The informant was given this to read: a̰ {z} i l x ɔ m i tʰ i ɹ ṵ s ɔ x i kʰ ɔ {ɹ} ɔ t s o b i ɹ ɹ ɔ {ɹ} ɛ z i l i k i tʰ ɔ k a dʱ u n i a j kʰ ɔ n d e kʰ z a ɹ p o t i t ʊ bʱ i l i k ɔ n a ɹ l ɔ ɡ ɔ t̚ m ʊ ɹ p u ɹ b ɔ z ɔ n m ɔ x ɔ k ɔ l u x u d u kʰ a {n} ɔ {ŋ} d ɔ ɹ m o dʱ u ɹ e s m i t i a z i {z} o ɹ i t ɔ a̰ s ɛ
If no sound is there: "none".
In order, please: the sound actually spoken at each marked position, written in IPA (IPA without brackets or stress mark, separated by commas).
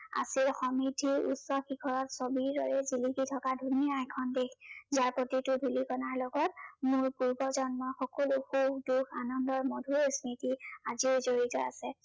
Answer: s, ɹ, ɹ, n, n, z